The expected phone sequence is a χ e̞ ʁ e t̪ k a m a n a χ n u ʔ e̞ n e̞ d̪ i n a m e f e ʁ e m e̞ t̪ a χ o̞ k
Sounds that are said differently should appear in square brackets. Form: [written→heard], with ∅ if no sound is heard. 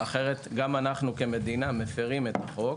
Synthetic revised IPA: a χ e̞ ʁ e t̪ [k→ɡ] a m a n a χ n u [ʔ→k] e̞ [n→m] e̞ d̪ i n a m e f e ʁ [e→i] m e̞ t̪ a χ o̞ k

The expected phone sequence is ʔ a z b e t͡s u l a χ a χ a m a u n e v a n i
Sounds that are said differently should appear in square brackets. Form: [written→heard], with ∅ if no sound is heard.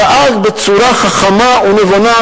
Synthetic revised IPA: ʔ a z b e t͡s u [l→ɾ] a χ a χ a m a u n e v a n [i→a]

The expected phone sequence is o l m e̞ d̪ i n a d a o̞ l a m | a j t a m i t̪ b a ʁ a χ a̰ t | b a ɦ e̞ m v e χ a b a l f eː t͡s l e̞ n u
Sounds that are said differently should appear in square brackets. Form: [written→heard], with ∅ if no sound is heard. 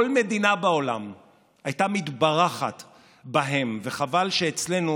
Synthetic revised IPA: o l m e̞ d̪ i n a [d→b] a o̞ l a m | a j t a m i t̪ b a ʁ a χ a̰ t | b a ɦ e̞ m v e χ a [b→v] a l [f→ʃ] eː t͡s l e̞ n u

